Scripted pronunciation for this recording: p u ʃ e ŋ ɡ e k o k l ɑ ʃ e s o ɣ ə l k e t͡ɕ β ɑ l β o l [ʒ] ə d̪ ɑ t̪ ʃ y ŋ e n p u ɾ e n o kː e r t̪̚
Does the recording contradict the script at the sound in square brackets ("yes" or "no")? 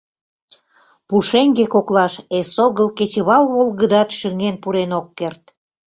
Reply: yes